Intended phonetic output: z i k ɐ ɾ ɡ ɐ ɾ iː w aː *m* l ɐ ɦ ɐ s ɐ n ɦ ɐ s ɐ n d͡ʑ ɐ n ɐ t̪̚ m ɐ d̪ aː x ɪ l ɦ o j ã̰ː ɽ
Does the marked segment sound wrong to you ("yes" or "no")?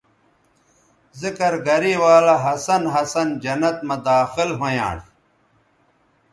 yes